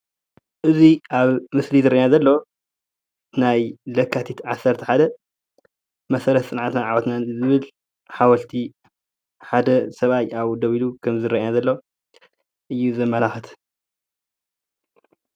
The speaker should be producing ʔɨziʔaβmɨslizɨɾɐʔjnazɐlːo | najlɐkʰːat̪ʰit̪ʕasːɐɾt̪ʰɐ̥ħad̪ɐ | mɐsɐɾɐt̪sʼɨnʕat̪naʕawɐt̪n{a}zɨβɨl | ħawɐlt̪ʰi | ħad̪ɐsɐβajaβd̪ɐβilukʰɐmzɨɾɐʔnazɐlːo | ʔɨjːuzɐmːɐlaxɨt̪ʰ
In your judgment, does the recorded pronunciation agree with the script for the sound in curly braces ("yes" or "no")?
yes